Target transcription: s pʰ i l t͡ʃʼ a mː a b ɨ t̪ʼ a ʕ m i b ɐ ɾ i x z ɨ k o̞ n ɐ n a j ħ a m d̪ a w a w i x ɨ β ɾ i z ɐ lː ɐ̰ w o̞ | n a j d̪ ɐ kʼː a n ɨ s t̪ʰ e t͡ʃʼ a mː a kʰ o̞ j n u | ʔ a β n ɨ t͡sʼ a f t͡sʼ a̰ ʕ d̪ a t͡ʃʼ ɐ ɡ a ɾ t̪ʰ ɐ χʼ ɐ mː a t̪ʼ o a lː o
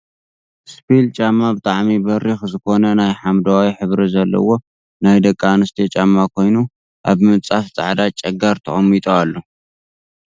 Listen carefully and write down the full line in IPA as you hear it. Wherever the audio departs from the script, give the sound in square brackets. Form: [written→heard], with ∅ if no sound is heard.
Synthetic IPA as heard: s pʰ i l t͡ʃʼ a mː a b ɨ t̪ʼ a ʕ m i b ɐ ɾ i x z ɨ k o̞ n ɐ n a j ħ a m d̪ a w a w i [x→ħ] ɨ β ɾ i z ɐ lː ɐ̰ w o̞ | n a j d̪ ɐ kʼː a n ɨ s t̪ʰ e t͡ʃʼ a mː a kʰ o̞ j n u | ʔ a β [n→m] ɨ t͡sʼ a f t͡sʼ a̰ ʕ d̪ a t͡ʃʼ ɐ ɡ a ɾ t̪ʰ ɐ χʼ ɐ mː [a→i] t̪ʼ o a lː o

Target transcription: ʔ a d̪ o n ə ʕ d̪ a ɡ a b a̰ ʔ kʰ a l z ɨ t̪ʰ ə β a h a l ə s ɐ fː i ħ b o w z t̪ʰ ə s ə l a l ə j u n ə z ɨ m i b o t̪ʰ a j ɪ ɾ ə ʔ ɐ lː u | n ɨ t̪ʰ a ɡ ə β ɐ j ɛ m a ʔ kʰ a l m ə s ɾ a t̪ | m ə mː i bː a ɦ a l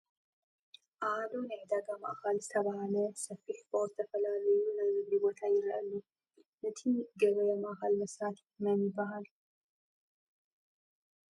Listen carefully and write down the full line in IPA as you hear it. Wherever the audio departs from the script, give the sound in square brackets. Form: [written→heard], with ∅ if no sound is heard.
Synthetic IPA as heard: ʔ a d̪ o n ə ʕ d̪ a ɡ a [b→m] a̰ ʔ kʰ a l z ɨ t̪ʰ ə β a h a l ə s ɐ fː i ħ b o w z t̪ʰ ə [s→f] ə l a l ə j u n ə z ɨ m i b o t̪ʰ a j ɪ ɾ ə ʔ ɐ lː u | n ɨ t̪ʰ [a→i] ɡ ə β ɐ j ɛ m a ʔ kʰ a l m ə s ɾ a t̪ | m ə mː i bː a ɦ a l

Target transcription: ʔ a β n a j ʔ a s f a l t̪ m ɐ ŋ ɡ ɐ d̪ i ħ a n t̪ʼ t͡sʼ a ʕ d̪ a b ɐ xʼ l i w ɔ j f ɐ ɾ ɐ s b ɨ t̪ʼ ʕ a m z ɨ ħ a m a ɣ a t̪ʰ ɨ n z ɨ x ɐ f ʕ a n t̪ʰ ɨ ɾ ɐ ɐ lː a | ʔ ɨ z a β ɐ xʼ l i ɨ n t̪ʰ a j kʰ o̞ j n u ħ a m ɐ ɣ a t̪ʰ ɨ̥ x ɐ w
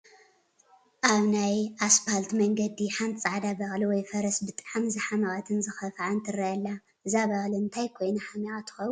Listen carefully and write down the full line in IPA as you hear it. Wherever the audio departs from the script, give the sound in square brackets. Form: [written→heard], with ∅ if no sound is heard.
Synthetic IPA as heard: ʔ a β n a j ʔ a s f a l t̪ m ɐ ŋ ɡ ɐ d̪ i ħ a n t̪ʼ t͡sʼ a ʕ d̪ a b ɐ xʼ l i w ɔ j f ɐ ɾ ɐ s b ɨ t̪ʼ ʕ a m z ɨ ħ a m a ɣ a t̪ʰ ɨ n z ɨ x ɐ f ʕ a n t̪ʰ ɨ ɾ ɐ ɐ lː a | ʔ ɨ z a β ɐ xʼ l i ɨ n t̪ʰ a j kʰ o̞ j n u ħ a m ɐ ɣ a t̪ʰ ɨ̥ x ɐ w

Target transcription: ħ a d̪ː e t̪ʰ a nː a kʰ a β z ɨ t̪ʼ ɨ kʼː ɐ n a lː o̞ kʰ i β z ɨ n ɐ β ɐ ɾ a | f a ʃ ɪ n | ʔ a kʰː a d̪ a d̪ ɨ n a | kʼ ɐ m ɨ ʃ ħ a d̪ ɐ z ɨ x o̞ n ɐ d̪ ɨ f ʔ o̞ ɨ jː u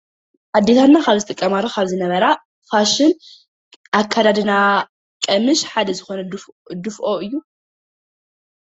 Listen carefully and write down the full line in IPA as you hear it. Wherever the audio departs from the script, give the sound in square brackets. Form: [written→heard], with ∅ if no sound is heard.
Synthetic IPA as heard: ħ a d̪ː e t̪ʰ a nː a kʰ a β z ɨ t̪ʼ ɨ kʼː ɐ [n→m] a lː o̞ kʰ [i→a] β z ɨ n ɐ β ɐ ɾ a | f a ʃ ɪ n | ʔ a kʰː a d̪ a d̪ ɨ n a | kʼ ɐ m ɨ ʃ ħ a d̪ ɐ z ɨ x o̞ n ɐ d̪ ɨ f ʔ o̞ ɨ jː u

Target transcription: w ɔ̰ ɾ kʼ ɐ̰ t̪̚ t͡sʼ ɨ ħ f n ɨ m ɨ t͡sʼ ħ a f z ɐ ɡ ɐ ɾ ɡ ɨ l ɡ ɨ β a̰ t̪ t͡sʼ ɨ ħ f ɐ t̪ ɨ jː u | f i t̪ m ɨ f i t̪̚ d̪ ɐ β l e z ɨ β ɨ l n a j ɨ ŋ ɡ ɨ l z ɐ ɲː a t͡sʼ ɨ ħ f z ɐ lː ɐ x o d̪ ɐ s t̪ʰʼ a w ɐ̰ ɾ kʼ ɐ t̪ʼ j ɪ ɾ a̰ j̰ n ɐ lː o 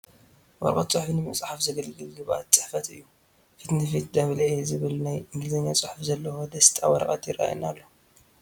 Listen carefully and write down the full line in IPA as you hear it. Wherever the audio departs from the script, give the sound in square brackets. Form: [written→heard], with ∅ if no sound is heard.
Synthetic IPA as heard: w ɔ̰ ɾ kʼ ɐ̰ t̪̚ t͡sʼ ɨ ħ f n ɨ m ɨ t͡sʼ ħ a f z ɐ ɡ ɐ [ɾ→l] ɡ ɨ l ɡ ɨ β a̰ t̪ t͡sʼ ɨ ħ f ɐ t̪ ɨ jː u | f i t̪ [m→n] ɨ f i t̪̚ d̪ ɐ β l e z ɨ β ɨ l n a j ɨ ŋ ɡ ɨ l z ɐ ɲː a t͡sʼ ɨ ħ f z ɐ lː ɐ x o d̪ ɐ s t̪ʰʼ a w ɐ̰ ɾ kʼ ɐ [t̪ʼ→t̪] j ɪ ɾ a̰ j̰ n [ɐ→a] lː o

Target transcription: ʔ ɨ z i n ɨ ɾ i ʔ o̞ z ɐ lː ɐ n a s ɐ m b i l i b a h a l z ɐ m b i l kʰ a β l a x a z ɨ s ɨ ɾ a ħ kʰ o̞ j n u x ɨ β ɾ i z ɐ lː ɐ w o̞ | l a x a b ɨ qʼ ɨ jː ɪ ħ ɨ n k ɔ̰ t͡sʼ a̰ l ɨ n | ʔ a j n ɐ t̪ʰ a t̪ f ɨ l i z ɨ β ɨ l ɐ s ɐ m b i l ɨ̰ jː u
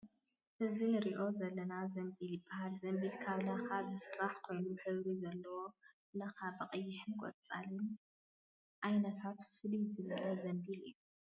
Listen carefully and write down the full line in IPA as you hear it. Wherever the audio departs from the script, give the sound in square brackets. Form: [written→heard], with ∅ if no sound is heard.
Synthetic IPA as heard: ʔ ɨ z i n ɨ ɾ i ʔ o̞ z ɐ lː ɐ n a [s→z] ɐ m b i l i b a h a l z ɐ m b i l kʰ a β l a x a z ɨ s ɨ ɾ a ħ kʰ o̞ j n u [x→ħ] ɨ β ɾ i z ɐ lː ɐ w o̞ | l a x a b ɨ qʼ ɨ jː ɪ ħ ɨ n [k→kʼ] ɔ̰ t͡sʼ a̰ l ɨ n | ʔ a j n ɐ t̪ʰ a t̪ f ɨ l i z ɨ β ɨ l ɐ [s→z] ɐ m b i l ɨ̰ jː u

